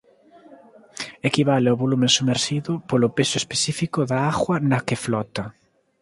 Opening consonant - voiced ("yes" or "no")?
no